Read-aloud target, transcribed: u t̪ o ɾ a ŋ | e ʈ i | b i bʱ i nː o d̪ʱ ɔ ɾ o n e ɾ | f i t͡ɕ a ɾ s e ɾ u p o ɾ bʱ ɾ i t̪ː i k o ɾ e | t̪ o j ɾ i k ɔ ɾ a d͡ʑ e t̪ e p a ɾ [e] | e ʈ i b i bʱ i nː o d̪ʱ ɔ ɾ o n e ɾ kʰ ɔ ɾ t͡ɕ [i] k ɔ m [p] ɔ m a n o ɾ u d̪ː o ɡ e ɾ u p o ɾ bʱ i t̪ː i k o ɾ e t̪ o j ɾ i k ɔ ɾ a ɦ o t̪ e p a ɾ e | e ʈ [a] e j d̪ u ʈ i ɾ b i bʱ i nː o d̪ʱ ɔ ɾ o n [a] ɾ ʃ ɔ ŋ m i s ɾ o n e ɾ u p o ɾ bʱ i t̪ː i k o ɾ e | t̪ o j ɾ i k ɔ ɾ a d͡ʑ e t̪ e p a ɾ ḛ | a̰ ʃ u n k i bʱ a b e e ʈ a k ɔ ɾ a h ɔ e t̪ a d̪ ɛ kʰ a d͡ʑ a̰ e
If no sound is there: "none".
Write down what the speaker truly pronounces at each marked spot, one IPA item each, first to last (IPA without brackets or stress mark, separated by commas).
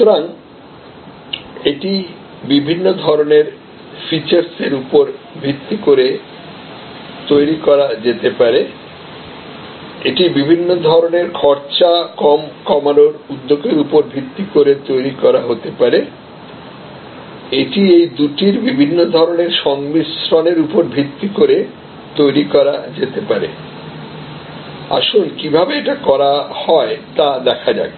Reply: e, a, k, i, e